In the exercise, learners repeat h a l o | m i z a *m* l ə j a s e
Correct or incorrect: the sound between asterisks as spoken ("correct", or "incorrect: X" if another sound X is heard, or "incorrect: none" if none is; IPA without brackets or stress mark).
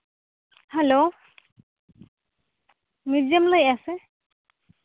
correct